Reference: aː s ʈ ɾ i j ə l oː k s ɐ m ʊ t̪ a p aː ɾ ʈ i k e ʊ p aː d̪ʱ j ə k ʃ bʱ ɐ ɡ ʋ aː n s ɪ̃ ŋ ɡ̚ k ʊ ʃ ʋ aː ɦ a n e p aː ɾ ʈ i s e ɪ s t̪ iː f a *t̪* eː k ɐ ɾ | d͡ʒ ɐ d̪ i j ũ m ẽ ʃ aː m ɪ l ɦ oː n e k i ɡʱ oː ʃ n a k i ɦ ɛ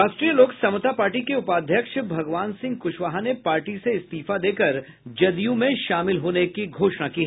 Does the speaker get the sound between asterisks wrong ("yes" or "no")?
yes